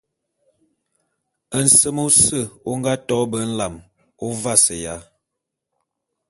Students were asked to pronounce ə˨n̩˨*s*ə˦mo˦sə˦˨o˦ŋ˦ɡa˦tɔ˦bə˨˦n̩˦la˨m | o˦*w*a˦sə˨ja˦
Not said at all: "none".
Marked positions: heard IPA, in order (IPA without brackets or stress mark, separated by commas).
s, v